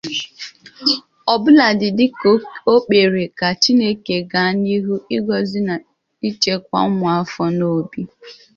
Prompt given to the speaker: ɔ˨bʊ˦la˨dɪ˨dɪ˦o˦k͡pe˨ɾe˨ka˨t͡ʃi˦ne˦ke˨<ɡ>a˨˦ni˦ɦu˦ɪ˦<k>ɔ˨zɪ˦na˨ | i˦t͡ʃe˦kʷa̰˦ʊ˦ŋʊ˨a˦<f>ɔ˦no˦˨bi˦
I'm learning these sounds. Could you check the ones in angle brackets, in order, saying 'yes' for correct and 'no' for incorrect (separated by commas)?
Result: yes, no, yes